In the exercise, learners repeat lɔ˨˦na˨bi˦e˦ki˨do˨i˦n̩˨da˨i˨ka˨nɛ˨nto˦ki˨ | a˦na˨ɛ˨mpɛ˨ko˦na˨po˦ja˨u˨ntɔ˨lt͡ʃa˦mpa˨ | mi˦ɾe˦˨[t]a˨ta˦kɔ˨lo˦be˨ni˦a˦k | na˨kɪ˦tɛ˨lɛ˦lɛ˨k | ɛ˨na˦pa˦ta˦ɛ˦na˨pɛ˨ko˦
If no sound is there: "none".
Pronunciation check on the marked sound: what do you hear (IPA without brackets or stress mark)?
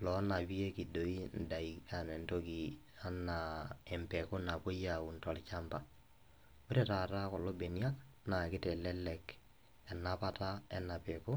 t